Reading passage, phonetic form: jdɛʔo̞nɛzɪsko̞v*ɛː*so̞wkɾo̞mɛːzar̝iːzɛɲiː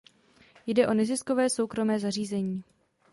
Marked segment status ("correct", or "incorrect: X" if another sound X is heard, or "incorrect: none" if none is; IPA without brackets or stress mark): correct